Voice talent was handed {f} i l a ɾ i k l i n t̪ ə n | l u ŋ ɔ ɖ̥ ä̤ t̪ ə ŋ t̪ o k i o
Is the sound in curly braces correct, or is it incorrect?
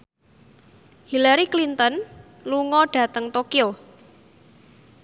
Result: incorrect